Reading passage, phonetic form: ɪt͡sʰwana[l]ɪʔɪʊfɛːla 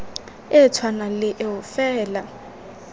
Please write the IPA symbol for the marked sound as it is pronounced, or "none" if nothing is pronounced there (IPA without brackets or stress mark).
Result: l